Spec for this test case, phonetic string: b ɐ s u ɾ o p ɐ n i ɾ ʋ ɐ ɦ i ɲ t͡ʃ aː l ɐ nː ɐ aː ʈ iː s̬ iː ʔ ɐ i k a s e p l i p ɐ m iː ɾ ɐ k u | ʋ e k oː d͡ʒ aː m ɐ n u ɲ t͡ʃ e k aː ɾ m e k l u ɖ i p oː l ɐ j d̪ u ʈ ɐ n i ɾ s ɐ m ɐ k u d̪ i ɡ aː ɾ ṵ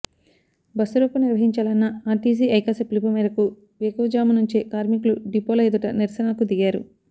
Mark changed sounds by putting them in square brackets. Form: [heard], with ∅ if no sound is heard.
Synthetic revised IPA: b ɐ s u ɾ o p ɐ n i ɾ ʋ ɐ ɦ i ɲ t͡ʃ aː l ɐ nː ɐ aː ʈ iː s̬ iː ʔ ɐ [j] k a s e p l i p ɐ m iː ɾ ɐ k u | ʋ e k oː d͡ʒ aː m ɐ n u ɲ t͡ʃ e k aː ɾ m [i] k l u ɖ i p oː l ɐ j d̪ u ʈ ɐ n i ɾ s ɐ [n] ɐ k u d̪ i ɡ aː ɾ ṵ